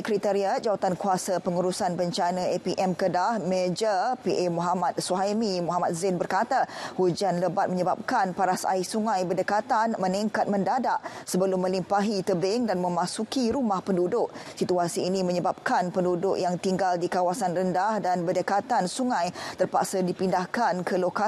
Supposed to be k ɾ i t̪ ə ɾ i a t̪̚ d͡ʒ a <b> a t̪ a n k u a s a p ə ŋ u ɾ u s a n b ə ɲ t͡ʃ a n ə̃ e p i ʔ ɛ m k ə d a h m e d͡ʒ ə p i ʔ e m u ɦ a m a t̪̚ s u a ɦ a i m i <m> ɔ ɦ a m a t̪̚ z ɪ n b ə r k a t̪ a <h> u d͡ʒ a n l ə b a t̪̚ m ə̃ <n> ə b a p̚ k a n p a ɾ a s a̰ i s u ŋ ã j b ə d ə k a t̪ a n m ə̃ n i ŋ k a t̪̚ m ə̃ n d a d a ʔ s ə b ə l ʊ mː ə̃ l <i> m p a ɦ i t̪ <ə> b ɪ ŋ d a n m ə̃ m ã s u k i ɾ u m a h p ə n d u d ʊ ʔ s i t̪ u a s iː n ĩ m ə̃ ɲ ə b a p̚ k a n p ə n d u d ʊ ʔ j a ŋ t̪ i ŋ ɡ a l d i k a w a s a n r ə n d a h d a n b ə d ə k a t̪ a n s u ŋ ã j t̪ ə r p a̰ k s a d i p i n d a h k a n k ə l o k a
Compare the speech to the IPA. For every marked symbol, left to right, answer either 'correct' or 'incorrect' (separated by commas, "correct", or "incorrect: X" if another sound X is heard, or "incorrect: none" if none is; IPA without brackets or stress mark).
incorrect: w, correct, correct, incorrect: ɲ, correct, correct